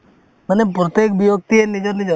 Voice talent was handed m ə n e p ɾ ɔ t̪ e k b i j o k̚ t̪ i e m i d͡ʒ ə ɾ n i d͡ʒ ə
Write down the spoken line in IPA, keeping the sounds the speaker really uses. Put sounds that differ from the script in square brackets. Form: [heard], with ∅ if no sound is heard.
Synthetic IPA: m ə n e p ɾ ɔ t̪ e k b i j o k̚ t̪ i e [n] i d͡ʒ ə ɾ n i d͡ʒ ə